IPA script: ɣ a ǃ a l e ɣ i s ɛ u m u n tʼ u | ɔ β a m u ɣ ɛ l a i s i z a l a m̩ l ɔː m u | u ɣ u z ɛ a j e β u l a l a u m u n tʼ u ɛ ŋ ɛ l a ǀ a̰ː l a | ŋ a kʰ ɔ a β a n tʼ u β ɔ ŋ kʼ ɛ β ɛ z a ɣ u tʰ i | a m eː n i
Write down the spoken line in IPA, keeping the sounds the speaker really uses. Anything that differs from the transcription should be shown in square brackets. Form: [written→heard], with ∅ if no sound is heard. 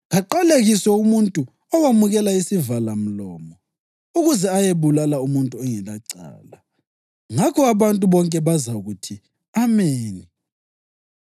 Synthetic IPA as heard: ɣ a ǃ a l e ɣ i s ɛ u m u n tʼ u | ɔ [β→w] a m u ɣ ɛ l a i s i [z→v] a l a m̩ l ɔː m [u→ɔ] | u ɣ u z ɛ a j e β u l a l a u m u n tʼ u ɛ ŋ ɛ l a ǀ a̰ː l a | ŋ a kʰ ɔ a β a n tʼ u β ɔ ŋ kʼ ɛ β [ɛ→a] z a ɣ u tʰ i | a m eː n i